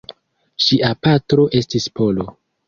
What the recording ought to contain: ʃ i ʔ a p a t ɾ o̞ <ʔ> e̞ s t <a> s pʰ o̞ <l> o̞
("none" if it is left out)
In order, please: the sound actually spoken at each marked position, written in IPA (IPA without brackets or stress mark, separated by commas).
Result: ʔ, i, l